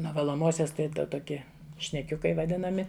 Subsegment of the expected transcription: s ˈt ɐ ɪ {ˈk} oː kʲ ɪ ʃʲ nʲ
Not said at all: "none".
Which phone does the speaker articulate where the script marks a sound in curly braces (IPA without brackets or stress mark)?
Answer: t